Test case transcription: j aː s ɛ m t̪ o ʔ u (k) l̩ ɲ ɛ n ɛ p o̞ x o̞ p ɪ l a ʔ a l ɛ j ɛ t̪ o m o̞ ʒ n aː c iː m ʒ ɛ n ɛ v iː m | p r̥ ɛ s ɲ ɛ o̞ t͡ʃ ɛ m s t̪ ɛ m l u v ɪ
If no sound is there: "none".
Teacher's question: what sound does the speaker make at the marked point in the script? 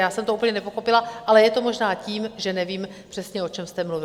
p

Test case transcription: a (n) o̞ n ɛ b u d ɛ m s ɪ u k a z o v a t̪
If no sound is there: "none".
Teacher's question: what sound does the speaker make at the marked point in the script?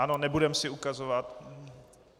n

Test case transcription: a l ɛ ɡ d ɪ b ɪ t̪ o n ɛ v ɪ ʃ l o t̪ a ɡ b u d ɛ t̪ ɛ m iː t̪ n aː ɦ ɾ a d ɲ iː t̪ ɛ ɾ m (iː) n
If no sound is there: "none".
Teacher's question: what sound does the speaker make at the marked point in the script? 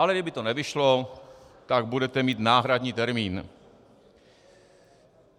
iː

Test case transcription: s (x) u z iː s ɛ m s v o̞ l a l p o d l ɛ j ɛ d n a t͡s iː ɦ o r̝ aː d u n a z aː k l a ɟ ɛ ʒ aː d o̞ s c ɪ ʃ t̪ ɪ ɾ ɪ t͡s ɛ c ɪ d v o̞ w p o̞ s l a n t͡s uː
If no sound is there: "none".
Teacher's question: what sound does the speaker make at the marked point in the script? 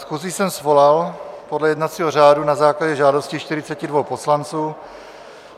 x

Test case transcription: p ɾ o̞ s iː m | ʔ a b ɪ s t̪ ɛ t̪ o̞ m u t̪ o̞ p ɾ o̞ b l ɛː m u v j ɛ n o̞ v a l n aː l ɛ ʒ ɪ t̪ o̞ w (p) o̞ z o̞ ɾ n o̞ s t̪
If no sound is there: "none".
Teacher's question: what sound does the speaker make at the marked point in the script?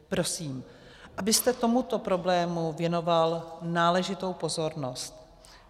p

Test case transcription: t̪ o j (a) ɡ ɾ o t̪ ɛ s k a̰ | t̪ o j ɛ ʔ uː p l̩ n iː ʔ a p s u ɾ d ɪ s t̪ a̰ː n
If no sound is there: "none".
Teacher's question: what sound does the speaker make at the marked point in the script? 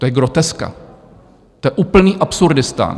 ɛ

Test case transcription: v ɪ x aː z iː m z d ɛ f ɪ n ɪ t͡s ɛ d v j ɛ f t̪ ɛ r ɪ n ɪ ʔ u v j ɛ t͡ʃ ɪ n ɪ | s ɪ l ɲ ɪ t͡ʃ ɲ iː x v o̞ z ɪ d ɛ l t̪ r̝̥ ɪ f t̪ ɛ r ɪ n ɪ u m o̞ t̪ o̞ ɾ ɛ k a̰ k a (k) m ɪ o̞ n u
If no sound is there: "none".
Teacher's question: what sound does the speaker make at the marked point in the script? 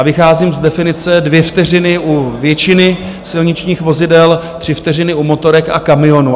none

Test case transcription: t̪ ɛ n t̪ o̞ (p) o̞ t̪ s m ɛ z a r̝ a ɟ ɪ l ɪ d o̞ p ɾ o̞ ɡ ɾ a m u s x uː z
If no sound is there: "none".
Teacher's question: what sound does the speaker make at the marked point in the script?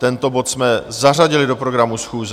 b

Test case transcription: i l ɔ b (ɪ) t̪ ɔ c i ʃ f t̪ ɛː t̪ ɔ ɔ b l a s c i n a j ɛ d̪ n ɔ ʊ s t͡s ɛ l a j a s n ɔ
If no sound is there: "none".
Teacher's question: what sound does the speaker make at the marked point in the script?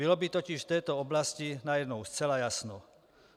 i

